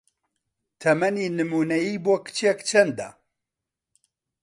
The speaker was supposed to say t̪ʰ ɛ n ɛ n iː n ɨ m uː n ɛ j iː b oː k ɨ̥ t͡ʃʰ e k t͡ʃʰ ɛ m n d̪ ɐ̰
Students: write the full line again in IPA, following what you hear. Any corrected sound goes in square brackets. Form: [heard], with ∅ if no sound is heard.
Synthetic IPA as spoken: t̪ʰ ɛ [m] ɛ n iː n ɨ m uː n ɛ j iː b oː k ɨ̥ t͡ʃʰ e k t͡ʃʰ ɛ [∅] n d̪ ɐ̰